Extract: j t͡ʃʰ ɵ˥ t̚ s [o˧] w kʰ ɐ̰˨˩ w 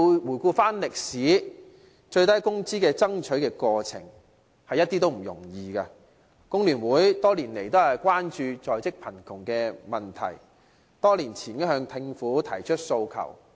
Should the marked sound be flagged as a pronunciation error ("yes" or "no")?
no